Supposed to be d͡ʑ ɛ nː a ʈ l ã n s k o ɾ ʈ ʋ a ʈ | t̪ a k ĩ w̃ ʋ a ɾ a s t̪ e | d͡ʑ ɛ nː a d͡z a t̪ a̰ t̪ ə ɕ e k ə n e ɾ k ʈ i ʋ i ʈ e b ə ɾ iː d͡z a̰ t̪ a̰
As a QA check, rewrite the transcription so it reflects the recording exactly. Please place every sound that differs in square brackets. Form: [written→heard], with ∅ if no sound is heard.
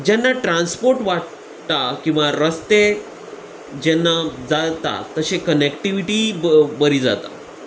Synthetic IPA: d͡ʑ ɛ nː a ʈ [l→ɾ] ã n s [k→p] o ɾ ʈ ʋ a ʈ | t̪ a k ĩ w̃ ʋ a ɾ [a→ə] s t̪ e | d͡ʑ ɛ nː a d͡z a t̪ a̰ t̪ ə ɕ e k ə n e [ɾ→∅] k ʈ i ʋ i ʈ [e→i] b ə ɾ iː d͡z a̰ t̪ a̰